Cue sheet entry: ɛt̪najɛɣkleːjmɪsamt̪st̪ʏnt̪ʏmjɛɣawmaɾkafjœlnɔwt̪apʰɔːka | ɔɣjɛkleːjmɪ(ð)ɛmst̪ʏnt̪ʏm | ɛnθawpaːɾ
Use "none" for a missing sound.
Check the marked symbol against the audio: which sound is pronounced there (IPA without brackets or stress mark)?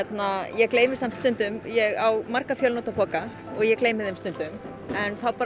ð